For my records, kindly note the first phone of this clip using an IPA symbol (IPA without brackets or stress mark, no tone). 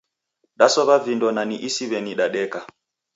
ɗ